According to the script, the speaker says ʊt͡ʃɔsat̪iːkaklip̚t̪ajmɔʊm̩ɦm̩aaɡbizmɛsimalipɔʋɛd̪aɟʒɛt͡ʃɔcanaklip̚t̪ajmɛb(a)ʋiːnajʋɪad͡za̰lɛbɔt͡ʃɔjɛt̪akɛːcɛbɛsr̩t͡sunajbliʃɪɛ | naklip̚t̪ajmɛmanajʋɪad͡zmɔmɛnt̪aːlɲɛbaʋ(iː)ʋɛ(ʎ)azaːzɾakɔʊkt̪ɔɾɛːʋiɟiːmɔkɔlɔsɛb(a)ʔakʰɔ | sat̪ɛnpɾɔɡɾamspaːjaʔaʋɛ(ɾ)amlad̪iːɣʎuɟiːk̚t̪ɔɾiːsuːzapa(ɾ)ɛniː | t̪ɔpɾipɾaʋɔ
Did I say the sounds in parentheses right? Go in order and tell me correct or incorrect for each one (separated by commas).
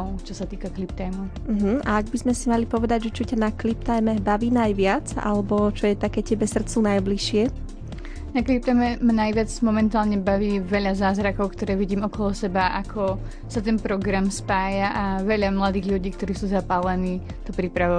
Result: correct, correct, correct, correct, incorrect, incorrect